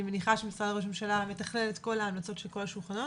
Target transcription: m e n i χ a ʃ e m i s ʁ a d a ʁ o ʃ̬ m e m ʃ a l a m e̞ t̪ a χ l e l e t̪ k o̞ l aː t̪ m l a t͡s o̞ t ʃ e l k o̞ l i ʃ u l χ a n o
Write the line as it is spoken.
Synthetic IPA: m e n i χ a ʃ e m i s ʁ a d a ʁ o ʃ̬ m e m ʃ a l a m e̞ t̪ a χ l e l e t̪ k o̞ l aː m l a t͡s o̞ t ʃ e l k o̞ l a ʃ u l χ a n o